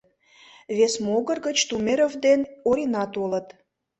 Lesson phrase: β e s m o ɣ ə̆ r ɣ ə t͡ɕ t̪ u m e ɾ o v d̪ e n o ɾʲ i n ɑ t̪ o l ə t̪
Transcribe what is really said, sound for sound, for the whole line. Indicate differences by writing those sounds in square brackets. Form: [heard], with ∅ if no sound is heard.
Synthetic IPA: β e s m o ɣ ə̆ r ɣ ə t͡ɕ t̪ u m e ɾ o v d̪ e n o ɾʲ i n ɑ t̪ o l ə t̪